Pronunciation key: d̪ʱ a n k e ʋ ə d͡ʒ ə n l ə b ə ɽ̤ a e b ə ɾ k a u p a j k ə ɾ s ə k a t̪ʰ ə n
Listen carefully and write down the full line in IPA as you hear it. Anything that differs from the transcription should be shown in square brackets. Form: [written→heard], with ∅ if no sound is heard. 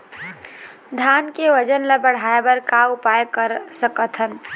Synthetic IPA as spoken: d̪ʱ a n k e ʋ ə d͡ʒ ə n l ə b ə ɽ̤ a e b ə ɾ k a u p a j k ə ɾ s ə k [a→ə] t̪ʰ ə n